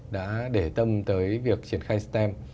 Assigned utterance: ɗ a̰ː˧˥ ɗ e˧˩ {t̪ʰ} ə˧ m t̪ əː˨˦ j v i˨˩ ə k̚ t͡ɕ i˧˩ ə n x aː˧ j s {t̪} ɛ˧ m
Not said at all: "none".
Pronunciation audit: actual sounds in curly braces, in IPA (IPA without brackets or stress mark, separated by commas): t̪, t̪